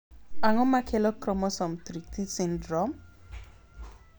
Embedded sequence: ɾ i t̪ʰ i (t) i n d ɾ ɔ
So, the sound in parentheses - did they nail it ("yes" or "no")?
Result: no